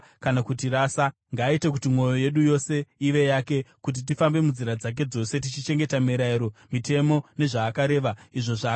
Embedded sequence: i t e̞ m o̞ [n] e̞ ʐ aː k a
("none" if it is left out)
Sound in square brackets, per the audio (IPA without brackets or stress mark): n